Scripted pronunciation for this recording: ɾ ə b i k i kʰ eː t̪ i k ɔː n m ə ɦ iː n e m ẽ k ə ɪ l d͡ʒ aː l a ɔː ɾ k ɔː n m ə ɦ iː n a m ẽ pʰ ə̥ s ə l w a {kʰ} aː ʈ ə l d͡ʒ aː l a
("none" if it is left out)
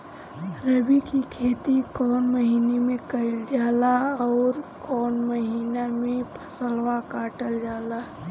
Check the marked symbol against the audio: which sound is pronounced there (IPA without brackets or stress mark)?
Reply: k